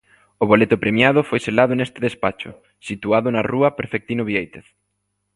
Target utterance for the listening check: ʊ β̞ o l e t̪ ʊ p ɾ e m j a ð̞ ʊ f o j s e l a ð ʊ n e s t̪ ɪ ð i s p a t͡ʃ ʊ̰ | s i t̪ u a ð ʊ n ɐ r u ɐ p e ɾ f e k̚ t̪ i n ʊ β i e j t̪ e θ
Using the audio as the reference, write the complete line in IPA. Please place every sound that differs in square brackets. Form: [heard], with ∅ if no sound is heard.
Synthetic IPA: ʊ β̞ o l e t̪ ʊ p ɾ e m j a ð̞ ʊ f o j s e l a ð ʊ n e s t̪ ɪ ð [e] s p a t͡ʃ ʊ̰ | s i t̪ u a ð ʊ n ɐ r u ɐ p e ɾ f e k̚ t̪ i n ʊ β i e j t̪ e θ